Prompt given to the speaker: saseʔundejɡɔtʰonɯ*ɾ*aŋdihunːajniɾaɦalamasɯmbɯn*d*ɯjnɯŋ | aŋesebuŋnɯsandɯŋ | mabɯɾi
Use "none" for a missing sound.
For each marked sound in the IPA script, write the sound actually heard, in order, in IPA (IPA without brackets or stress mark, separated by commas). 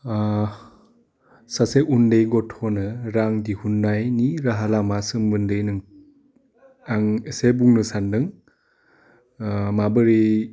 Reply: ɾ, d